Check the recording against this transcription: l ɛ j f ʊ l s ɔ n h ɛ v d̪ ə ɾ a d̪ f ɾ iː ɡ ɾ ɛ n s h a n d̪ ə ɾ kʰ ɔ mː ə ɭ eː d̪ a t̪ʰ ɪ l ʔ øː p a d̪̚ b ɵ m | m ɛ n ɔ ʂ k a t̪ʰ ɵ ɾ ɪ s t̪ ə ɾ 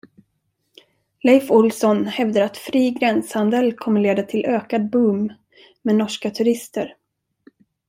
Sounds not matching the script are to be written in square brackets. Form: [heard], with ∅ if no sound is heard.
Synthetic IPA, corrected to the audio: l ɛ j f ʊ l s ɔ n h ɛ v d̪ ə ɾ a [t̪] f ɾ iː ɡ ɾ ɛ n s h a n d̪ ə [l] kʰ ɔ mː ə ɭ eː d̪ a t̪ʰ ɪ l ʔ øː [k] a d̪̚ b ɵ m | m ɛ n ɔ ʂ k a t̪ʰ ɵ ɾ ɪ s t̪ ə ɾ